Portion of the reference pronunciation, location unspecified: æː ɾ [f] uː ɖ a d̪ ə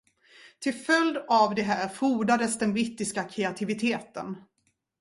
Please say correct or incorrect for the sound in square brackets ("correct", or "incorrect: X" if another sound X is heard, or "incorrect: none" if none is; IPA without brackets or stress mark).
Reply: correct